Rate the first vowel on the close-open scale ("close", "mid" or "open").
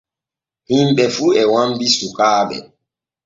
close